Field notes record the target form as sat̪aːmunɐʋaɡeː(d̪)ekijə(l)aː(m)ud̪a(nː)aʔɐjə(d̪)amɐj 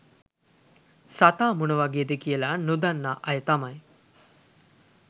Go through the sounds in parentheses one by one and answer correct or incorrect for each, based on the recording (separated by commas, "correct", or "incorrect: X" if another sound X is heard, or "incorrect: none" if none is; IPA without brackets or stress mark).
correct, correct, incorrect: n, correct, incorrect: t̪